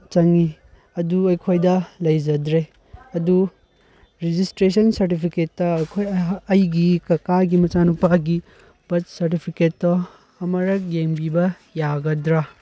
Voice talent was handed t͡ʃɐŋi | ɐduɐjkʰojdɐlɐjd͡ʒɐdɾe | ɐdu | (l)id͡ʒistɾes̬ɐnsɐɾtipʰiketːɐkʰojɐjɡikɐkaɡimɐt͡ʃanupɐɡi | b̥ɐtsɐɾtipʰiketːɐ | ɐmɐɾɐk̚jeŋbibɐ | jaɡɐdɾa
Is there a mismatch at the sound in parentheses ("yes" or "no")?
yes